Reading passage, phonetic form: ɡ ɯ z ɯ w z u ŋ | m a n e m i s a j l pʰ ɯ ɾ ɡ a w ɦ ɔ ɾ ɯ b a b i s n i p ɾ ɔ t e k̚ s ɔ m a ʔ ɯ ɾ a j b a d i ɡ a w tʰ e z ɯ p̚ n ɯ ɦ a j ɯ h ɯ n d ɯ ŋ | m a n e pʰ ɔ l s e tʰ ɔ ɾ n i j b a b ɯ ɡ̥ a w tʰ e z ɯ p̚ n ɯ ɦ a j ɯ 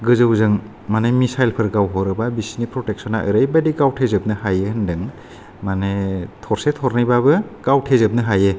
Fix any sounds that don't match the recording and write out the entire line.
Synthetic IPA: ɡ ɯ z ɯ w z ɯ ŋ | m a n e m i s a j l pʰ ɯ ɾ ɡ a w ɦ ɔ ɾ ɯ b a b i s n i p ɾ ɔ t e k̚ s ɔ n a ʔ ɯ ɾ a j b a d i ɡ a w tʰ e z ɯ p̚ n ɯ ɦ a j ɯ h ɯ n d ɯ ŋ | m a n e tʰ ɔ ɾ s e tʰ ɔ ɾ n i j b a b ɯ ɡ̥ a w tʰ e z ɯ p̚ n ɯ ɦ a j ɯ